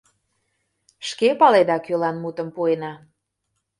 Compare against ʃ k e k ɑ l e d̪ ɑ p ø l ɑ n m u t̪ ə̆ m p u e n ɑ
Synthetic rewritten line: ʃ k e p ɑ l e d̪ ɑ k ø l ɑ n m u t̪ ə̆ m p u e n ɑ